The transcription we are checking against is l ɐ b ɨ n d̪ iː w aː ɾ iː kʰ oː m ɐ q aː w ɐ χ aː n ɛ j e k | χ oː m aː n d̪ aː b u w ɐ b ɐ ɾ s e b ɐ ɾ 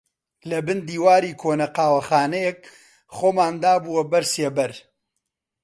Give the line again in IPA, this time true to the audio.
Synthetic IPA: l ɐ b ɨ n d̪ iː w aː ɾ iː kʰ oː n ɐ q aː w ɐ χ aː n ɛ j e k | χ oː m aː n d̪ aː b u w ɐ b ɐ ɾ s e b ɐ ɾ